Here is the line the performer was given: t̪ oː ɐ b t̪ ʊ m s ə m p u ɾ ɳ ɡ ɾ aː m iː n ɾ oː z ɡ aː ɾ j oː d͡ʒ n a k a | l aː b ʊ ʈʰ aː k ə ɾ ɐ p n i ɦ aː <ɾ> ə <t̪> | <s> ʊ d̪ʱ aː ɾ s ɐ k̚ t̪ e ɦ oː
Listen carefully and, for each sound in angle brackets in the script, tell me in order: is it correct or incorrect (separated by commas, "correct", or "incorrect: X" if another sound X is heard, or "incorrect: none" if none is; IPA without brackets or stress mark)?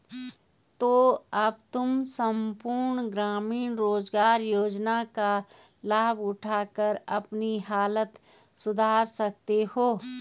incorrect: l, correct, correct